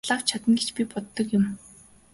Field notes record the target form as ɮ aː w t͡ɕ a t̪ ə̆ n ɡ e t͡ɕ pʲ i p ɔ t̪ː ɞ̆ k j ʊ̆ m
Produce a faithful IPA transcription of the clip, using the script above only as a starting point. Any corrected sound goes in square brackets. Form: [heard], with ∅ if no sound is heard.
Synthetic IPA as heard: ɮ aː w [t͡ɕʰ] a t̪ ə̆ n ɡ e t͡ɕ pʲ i p ɔ t̪ː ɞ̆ k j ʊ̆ m